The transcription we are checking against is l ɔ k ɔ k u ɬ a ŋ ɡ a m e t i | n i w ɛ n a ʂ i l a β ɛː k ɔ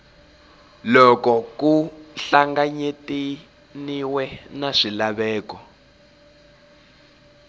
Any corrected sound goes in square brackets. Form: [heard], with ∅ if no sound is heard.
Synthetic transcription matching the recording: l ɔ k ɔ k u ɬ a ŋ ɡ a [ɲ] e t i | n i w ɛ n a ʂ i l a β ɛː k ɔ